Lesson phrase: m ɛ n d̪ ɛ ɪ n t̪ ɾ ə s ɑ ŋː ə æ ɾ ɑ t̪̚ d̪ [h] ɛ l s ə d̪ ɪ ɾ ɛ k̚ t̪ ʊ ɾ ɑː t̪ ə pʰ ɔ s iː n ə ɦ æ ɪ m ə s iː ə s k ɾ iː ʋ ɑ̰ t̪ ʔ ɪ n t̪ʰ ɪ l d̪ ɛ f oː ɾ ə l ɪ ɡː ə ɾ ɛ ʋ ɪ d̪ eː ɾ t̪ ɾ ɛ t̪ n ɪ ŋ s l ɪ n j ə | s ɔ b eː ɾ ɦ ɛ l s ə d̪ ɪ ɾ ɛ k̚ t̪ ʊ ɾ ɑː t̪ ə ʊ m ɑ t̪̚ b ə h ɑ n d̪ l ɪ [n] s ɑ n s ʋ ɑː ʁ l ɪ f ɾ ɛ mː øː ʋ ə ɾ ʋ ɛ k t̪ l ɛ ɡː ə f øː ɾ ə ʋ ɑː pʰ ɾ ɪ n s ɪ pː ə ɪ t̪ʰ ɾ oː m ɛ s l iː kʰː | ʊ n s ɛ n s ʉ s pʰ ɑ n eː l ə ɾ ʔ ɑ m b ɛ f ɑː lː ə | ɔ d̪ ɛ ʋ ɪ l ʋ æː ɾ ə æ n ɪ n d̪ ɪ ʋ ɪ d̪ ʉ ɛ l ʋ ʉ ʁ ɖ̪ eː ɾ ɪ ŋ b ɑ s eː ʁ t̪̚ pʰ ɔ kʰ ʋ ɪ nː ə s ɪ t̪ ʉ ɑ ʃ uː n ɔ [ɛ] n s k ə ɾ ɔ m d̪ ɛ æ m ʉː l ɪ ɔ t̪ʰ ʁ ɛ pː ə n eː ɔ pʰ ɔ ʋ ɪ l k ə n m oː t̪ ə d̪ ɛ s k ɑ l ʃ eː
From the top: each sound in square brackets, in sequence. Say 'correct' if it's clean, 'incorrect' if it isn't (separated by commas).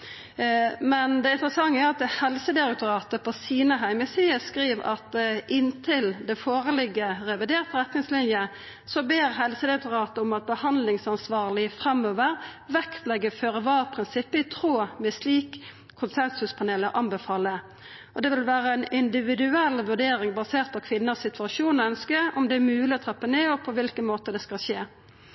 correct, incorrect, incorrect